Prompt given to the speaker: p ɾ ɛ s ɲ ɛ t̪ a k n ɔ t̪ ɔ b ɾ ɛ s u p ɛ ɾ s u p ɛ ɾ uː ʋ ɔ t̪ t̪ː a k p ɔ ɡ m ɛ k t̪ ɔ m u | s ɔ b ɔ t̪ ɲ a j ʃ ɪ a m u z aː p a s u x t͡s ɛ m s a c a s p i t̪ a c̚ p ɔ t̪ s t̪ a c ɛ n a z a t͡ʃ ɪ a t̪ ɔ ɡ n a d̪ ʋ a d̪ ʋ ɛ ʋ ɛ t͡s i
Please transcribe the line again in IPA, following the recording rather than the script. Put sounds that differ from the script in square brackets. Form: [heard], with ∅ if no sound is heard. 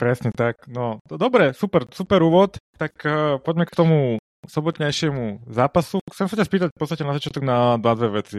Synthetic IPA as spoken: p ɾ ɛ s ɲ ɛ t̪ a k n ɔ [d̪] ɔ b ɾ ɛ s u p ɛ ɾ s u p ɛ ɾ uː ʋ ɔ t̪ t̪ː a k p ɔ [ɟ] m ɛ k t̪ ɔ m u | s ɔ b ɔ t̪ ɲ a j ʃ ɪ [ɛ] m u z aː p a s u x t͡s ɛ m s a c a s p [iː] t̪ a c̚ p ɔ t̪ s t̪ a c ɛ n a z a t͡ʃ ɪ a t̪ ɔ ɡ n a d̪ ʋ a d̪ ʋ ɛ ʋ ɛ t͡s i